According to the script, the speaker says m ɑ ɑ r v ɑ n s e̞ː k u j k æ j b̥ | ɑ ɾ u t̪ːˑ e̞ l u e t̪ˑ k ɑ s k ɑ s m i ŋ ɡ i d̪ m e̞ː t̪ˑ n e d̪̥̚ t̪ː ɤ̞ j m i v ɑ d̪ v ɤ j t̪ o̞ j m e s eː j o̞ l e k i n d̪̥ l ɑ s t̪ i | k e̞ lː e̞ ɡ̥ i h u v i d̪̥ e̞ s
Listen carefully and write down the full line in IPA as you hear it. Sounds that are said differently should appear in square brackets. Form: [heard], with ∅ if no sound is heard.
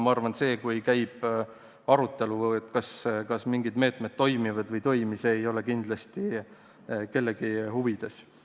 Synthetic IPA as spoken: m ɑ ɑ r v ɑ n s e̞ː k u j k æ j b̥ | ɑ ɾ u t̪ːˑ e̞ l u e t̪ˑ k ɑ s k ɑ s m i ŋ ɡ i d̪ m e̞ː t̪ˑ [m] e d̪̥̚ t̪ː [o̞] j m i v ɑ d̪ v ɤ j t̪ o̞ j m [i] s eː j o̞ l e k i n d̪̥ l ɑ s t̪ i | k e̞ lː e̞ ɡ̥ i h u v i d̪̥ e̞ s